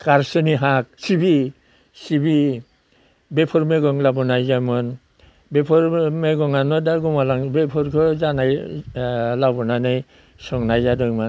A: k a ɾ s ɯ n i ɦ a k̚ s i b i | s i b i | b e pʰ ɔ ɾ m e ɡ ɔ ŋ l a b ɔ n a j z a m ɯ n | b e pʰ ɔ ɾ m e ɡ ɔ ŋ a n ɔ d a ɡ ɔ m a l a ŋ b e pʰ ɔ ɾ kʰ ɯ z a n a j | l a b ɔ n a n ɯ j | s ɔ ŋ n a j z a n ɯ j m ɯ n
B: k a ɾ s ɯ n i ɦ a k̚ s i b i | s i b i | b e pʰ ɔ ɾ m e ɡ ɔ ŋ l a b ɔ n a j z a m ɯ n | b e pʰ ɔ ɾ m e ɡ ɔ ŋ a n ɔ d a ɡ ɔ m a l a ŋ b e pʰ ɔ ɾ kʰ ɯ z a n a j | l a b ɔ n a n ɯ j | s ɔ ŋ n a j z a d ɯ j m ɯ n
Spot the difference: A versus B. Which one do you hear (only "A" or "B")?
B